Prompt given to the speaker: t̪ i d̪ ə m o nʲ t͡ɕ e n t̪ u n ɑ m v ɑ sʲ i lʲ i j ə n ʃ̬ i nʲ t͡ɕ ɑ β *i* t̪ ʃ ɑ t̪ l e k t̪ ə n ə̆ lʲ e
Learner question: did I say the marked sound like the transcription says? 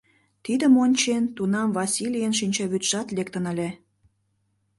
no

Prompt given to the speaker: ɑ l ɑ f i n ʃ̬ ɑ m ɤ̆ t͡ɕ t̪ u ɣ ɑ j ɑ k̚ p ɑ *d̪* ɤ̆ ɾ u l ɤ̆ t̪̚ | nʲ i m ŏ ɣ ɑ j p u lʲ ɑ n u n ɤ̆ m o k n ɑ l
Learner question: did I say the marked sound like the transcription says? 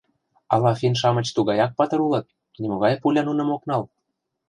no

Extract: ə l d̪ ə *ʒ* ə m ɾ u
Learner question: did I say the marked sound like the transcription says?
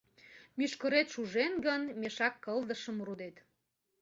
no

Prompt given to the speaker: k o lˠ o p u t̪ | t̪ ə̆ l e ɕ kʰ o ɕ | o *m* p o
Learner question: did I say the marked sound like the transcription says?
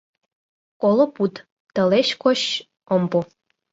yes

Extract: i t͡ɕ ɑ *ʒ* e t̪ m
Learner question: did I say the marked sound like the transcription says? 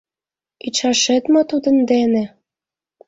no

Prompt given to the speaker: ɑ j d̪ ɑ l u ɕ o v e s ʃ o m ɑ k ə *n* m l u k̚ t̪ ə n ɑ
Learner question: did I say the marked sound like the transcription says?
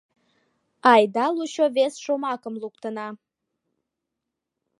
no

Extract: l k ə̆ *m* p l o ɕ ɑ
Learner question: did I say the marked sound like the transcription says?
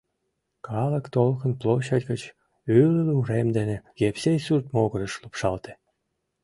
no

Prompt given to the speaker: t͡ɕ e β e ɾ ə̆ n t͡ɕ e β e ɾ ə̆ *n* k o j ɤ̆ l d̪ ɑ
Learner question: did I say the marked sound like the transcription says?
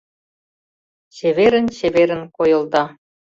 yes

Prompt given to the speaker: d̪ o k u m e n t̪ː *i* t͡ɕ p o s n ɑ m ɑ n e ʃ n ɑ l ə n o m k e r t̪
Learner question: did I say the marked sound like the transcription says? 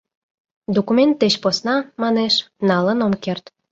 no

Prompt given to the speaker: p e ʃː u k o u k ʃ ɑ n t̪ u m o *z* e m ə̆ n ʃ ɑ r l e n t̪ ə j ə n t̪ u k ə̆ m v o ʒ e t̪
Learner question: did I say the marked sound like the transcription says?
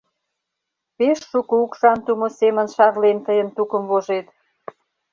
no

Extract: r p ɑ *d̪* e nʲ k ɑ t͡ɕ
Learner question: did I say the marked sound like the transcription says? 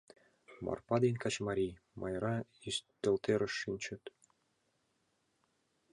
yes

